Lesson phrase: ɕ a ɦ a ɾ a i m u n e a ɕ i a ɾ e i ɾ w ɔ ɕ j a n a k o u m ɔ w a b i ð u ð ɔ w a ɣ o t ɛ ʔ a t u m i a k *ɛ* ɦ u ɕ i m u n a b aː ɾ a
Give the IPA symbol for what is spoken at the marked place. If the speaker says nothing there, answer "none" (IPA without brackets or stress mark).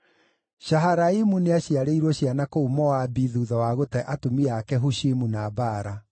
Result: ɛ